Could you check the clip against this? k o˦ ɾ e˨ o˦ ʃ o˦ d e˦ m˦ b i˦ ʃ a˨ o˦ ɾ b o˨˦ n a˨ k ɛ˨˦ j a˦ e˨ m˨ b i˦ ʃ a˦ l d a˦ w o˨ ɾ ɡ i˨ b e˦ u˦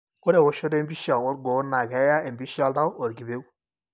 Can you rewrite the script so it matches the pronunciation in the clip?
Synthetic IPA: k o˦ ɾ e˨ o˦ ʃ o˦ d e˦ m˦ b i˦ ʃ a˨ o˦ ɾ ɡ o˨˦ n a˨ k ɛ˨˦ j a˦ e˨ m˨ b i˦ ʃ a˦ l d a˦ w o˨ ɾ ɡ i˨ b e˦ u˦

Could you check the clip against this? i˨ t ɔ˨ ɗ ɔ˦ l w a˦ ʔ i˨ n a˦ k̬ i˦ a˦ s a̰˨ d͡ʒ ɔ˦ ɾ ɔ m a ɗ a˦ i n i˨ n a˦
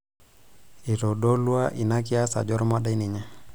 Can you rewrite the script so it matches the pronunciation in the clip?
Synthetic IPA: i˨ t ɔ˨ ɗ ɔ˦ l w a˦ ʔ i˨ n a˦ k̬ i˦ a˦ s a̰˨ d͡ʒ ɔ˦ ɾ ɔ m a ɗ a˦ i n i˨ ɲ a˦

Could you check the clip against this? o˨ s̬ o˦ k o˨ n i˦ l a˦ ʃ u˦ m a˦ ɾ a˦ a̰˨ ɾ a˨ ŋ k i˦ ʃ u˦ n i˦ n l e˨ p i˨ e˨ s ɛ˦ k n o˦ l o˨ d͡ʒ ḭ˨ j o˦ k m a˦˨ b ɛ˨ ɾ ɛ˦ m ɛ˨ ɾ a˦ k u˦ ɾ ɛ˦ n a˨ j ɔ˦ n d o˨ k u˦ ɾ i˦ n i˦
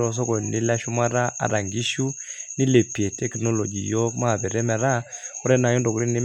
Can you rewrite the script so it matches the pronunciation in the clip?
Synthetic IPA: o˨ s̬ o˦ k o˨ n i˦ l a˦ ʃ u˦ m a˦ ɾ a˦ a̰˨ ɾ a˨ ŋ ɡ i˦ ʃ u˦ n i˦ l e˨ p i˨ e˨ t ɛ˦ k n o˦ l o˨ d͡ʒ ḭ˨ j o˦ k m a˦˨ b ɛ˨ ɾ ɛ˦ m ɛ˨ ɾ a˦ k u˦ ɾ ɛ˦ n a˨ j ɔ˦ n d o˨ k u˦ ɾ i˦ n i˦

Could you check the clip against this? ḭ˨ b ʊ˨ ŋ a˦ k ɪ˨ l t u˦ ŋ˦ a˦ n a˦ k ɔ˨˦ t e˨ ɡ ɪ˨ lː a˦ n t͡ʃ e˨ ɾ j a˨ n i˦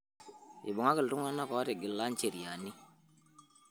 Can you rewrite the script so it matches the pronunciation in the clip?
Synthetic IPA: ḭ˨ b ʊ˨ ŋ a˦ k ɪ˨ l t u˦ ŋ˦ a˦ n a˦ k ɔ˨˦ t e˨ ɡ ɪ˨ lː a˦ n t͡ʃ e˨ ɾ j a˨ n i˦

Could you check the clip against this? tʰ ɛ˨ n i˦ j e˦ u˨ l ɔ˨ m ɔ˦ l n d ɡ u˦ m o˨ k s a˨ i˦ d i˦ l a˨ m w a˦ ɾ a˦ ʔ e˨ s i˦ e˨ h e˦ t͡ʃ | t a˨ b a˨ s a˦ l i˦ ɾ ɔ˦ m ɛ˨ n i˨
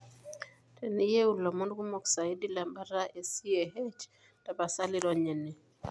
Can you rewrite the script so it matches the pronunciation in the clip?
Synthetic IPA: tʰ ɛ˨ n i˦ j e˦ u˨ l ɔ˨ m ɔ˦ n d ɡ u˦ m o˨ k s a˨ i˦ d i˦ l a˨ m b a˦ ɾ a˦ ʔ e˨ s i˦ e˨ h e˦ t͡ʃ | t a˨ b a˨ s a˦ l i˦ ɾ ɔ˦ ɲ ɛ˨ n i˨

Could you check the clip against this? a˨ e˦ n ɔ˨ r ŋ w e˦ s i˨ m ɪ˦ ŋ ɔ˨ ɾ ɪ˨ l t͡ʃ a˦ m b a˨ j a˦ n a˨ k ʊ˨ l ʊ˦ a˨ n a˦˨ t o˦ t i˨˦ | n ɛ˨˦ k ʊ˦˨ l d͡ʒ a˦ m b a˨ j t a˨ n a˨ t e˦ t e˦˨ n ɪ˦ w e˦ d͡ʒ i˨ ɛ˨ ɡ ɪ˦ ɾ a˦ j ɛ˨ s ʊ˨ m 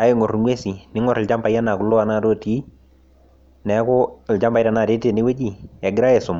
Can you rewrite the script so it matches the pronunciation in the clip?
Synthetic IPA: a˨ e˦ ŋ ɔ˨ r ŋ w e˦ s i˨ n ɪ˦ ŋ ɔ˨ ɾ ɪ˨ l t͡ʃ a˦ m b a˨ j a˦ n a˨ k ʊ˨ l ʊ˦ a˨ n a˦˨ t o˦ t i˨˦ | n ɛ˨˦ k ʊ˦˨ l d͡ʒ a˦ m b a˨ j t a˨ n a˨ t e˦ t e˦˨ n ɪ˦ w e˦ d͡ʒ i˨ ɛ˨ ɡ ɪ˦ ɾ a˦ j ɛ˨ s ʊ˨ m

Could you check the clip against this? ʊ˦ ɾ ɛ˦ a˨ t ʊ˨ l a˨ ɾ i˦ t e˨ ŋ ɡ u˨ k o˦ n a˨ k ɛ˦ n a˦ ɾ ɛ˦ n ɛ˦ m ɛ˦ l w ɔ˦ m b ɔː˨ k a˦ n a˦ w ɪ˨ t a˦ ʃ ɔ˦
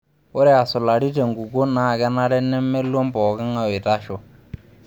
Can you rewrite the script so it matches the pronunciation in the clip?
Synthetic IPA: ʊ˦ ɾ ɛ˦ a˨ s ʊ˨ l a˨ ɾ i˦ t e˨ ŋ ɡ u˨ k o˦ n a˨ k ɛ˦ n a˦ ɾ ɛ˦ n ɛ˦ m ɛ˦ l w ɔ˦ m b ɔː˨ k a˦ ŋ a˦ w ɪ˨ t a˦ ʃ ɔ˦

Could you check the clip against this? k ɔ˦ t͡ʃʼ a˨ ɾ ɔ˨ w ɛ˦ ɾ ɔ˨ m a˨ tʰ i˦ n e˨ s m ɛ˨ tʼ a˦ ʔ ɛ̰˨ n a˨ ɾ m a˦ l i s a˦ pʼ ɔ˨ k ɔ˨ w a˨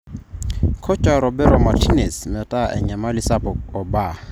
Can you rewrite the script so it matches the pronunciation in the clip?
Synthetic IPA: kʰ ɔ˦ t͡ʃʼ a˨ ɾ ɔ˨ b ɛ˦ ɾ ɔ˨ m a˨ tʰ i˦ n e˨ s m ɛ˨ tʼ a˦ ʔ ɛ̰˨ ɲ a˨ m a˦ l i s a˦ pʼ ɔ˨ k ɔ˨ b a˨

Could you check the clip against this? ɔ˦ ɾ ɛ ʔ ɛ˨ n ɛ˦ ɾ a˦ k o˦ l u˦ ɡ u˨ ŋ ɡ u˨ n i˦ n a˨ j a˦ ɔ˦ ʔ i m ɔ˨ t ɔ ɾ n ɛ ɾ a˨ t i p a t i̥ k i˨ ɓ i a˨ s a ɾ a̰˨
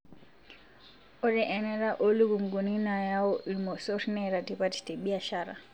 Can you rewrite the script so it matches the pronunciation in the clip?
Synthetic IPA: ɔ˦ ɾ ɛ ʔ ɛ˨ n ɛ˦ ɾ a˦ ʔ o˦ l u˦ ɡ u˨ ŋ ɡ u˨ n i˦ n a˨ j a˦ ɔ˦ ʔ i m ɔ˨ s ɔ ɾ n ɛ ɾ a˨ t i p a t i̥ t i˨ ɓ i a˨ ʃ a ɾ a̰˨

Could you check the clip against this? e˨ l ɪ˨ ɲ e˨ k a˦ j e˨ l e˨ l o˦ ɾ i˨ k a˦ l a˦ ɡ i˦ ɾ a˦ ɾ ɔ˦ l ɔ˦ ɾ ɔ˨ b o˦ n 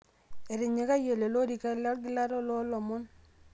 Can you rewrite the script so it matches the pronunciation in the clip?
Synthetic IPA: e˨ ɾ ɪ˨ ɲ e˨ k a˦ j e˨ l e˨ l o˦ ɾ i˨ k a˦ l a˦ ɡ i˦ l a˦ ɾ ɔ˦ l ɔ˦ l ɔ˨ m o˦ n

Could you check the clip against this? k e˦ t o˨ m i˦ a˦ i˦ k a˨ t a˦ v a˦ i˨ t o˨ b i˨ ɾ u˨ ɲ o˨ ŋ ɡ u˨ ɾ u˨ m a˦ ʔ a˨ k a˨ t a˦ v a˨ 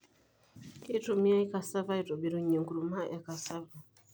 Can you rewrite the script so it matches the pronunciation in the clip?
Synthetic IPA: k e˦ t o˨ m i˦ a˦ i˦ k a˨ s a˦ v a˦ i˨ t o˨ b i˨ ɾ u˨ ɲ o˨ ŋ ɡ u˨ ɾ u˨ m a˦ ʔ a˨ k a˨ s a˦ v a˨

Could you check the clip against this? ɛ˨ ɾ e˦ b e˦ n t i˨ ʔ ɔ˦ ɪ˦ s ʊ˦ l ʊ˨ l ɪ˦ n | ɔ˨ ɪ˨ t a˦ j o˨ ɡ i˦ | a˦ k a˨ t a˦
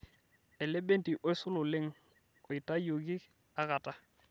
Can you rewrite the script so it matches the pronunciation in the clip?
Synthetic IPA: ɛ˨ l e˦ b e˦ n t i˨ ʔ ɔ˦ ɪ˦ s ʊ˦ l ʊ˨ l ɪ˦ ŋ | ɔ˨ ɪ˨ t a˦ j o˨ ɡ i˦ | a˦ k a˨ t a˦

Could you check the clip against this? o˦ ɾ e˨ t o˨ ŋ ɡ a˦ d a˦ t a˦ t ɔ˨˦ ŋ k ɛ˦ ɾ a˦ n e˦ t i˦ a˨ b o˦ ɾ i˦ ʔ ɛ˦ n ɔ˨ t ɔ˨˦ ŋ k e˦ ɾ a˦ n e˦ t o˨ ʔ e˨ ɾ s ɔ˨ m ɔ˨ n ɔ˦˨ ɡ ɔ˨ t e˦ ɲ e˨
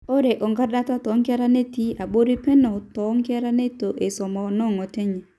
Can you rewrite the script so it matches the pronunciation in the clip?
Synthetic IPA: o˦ ɾ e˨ ʔ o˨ ŋ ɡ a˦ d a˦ t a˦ t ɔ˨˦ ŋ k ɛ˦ ɾ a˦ n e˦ t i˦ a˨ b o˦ ɾ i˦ p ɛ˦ n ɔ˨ t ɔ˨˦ ŋ k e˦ ɾ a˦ n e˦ t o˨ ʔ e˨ s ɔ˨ m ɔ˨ n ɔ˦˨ ŋ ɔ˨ t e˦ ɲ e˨

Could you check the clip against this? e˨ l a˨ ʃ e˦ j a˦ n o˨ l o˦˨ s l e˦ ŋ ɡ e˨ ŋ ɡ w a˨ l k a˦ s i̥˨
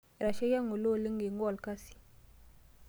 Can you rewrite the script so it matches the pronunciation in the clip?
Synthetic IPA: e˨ ɾ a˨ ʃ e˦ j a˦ ŋ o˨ l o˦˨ l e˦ ŋ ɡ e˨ ŋ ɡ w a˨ l k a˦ s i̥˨

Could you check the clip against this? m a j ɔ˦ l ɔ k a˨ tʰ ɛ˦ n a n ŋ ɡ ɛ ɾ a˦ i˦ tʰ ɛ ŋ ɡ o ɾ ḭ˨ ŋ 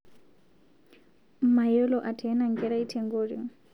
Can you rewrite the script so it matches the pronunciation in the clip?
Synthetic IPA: m a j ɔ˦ l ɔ ʔ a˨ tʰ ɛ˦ n a ŋ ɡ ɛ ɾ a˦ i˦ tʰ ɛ ŋ ɡ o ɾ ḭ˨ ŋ

